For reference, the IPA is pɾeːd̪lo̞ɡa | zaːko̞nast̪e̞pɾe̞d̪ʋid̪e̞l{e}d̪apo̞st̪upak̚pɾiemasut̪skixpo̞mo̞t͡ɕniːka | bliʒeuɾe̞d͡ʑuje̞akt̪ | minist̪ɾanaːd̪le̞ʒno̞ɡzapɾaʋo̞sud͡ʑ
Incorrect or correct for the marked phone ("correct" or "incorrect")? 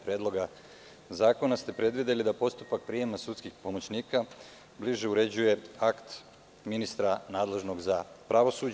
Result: incorrect